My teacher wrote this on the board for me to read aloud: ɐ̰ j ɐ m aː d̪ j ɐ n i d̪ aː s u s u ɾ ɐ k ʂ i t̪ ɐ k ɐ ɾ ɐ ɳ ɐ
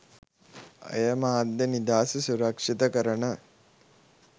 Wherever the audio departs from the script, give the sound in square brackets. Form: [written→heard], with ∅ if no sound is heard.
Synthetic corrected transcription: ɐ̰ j ɐ m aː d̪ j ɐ n i d̪ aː s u s u ɾ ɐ k ʂ i t̪ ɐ k ɐ ɾ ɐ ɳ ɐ

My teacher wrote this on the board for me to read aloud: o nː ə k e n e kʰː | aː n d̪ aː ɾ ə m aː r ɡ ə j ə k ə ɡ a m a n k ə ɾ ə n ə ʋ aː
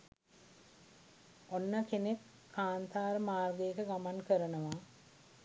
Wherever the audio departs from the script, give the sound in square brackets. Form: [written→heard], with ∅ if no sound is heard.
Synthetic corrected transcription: o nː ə k e n e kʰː | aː n [d̪→t̪] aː ɾ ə m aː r ɡ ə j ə k ə ɡ a m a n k ə ɾ ə n ə ʋ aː

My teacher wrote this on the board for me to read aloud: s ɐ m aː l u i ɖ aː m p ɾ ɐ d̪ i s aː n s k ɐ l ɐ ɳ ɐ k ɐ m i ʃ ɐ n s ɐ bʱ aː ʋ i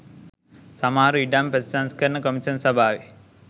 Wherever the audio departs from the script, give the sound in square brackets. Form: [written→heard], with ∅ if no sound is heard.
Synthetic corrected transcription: s ɐ m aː [l→ɾ] u i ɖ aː m p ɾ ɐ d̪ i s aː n s k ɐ [l→ɾ] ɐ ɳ ɐ k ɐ m i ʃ ɐ n s ɐ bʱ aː ʋ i

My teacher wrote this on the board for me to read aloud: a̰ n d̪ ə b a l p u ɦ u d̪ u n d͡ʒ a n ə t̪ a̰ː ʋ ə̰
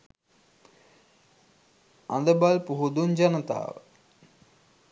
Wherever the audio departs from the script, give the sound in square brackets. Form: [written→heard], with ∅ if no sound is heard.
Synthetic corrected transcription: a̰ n d̪ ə b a l p u ɦ u d̪ u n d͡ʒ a n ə t̪ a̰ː ʋ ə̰

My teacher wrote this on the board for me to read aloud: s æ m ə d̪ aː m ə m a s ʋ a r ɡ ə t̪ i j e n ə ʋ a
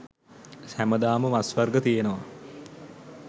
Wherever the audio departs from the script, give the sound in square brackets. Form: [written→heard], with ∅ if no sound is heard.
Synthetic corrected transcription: s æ m ə d̪ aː m ə m a s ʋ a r ɡ ə t̪ i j e n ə ʋ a

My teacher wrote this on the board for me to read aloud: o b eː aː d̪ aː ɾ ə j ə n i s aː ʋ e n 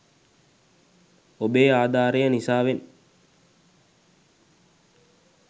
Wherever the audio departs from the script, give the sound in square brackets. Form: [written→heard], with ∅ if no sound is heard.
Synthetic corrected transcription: o b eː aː d̪ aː ɾ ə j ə n i s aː ʋ e n

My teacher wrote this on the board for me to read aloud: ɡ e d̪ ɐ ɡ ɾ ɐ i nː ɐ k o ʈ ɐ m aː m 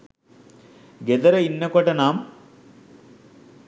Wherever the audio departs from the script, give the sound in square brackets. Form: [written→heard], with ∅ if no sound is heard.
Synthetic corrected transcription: ɡ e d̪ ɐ [ɡ→∅] ɾ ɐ i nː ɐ k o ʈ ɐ [m→n] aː m

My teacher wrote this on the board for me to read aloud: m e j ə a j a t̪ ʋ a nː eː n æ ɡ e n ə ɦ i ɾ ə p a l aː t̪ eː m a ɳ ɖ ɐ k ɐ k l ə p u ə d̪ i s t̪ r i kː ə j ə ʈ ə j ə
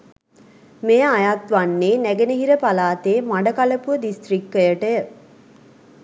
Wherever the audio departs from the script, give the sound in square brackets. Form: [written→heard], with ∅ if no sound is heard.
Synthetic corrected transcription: m e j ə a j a t̪ ʋ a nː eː n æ ɡ e n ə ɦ i ɾ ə p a l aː t̪ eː m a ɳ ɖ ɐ k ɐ [k→∅] l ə p u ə d̪ i s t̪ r i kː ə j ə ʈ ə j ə

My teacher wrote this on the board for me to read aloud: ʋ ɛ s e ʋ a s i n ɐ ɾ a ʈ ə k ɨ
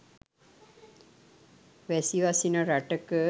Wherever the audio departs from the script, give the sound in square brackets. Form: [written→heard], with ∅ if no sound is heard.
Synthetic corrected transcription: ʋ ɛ s [e→i] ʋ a s i n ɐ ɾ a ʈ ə k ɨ

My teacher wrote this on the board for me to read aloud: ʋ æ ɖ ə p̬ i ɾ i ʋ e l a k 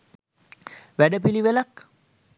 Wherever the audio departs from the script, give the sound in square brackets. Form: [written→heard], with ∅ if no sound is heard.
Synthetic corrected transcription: ʋ æ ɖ ə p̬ i [ɾ→l] i ʋ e l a k

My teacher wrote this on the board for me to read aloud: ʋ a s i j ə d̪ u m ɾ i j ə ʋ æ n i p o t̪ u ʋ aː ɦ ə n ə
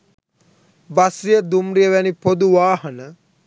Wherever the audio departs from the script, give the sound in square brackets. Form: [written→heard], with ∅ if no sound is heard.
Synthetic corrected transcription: ʋ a s i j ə d̪ u m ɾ i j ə ʋ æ n i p o [t̪→d̪] u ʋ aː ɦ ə n ə

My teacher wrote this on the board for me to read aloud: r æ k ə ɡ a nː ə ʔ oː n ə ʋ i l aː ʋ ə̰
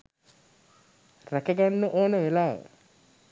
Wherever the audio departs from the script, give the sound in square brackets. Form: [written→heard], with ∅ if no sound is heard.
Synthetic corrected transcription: r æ k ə ɡ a nː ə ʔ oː n ə ʋ [i→e] l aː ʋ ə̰

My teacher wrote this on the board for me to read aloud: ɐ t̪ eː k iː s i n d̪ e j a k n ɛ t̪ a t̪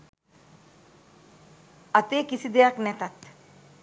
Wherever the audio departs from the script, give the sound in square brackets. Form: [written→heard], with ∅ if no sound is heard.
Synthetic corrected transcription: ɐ t̪ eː k [iː→i] s i [n→∅] d̪ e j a k n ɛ t̪ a t̪

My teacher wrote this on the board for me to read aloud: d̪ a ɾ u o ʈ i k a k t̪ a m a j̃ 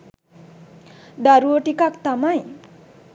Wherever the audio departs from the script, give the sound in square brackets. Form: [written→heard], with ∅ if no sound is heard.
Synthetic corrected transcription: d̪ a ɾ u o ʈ i k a k t̪ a m a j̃

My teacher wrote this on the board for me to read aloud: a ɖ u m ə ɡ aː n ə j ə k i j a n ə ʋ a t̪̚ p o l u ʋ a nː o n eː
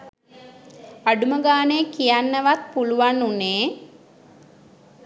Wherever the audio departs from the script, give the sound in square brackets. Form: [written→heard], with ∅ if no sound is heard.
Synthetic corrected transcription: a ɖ u m ə ɡ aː n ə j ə k i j a [n→nː] ə ʋ a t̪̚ p [o→u] l u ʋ a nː [o→u] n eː

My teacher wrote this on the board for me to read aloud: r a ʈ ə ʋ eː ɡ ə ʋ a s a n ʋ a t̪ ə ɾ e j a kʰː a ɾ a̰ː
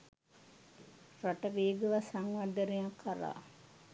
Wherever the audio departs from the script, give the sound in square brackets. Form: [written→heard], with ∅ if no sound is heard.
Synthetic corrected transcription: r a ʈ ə ʋ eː ɡ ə ʋ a s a [n→ŋ] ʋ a [t̪→d̪] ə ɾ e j a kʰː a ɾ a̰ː

